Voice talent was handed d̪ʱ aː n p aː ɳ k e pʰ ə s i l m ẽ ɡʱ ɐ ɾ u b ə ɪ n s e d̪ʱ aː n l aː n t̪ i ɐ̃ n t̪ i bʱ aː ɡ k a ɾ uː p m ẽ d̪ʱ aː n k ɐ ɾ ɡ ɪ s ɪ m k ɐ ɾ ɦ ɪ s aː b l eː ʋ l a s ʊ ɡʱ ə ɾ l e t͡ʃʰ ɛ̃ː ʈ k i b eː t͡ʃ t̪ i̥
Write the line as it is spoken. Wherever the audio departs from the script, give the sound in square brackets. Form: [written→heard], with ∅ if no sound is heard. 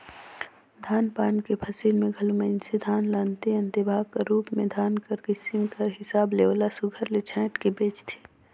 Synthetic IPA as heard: d̪ʱ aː n p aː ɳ k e pʰ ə s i l m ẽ ɡʱ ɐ [ɾ→l] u [b→m] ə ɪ n s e d̪ʱ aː n l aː n t̪ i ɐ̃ n t̪ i bʱ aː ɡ k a ɾ uː p m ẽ d̪ʱ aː n k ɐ ɾ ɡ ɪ s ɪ m k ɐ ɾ ɦ ɪ s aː b l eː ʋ l a s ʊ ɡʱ ə ɾ l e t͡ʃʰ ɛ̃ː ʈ k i b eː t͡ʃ [t̪→t̪ʰ] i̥